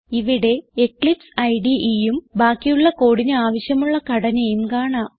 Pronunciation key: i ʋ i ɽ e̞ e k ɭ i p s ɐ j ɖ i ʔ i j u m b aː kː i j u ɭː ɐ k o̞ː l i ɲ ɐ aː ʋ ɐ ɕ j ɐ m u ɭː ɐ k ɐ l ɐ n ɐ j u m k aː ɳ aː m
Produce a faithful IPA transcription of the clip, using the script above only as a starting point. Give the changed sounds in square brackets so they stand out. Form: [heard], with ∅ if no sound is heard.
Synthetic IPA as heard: i ʋ i ɽ e̞ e k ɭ i p s ɐ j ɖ i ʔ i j u m b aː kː i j u ɭː ɐ k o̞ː [ɽ] i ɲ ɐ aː ʋ ɐ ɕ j ɐ m u ɭː ɐ k ɐ [ɽ] ɐ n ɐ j u m k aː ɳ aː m